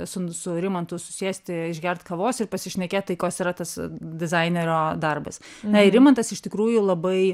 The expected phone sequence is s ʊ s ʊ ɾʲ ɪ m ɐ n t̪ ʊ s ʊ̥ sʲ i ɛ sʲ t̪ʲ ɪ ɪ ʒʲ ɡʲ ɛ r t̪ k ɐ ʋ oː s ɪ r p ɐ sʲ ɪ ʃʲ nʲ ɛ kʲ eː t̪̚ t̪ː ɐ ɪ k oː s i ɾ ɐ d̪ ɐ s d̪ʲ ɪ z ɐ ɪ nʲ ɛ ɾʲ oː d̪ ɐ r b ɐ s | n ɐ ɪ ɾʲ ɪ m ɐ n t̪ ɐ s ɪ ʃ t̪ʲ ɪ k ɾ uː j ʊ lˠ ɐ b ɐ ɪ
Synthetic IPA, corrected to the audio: s ʊ s ʊ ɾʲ ɪ m ɐ n t̪ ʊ s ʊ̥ sʲ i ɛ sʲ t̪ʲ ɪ ɪ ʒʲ ɡʲ ɛ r t̪ k ɐ ʋ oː s ɪ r p ɐ sʲ ɪ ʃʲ nʲ ɛ kʲ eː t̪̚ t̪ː ɐ ɪ k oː s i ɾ ɐ t̪ ɐ s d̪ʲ ɪ z ɐ ɪ nʲ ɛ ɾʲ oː d̪ ɐ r b ɐ s | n ɐ ɪ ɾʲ ɪ m ɐ n t̪ ɐ s ɪ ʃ t̪ʲ ɪ k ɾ uː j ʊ lˠ ɐ b ɐ ɪ